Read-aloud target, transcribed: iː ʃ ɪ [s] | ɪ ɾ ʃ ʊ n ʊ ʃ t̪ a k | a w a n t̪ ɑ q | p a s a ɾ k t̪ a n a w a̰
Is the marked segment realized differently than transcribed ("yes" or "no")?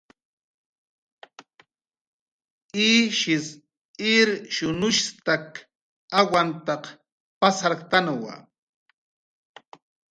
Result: no